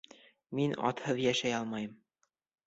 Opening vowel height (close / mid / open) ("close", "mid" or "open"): close